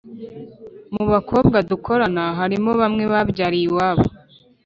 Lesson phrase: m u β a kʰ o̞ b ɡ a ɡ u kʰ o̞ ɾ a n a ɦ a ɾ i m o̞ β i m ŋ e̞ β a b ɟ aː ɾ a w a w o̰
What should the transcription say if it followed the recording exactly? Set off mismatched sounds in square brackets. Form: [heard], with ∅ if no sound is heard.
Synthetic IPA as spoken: m u β a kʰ o̞ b ɡ a [d] u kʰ o̞ ɾ a n a ɦ a ɾ i m o̞ β [a] m ŋ e̞ β a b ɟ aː ɾ [i] w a [β] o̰